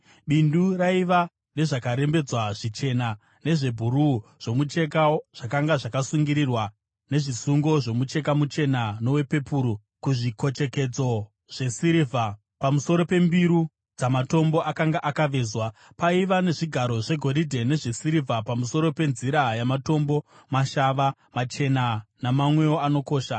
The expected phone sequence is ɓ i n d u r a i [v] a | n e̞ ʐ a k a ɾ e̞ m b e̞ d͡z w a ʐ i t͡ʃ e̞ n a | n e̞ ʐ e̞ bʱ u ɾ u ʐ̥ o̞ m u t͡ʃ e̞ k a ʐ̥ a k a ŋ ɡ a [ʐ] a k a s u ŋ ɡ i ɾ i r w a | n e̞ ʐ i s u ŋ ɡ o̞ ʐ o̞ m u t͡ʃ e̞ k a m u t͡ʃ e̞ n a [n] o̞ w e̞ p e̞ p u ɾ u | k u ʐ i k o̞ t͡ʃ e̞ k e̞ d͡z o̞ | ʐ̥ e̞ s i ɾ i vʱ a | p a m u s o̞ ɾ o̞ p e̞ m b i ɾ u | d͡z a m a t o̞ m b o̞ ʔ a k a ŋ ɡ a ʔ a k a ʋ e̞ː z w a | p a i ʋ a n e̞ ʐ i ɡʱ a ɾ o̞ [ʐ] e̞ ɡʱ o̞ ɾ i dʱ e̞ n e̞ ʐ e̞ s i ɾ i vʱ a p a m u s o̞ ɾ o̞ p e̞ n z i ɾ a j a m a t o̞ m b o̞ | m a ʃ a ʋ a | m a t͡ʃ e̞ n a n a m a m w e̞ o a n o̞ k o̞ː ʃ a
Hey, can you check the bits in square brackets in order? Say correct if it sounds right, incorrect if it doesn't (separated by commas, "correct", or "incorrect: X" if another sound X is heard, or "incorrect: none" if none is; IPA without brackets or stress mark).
incorrect: ʋ, correct, correct, correct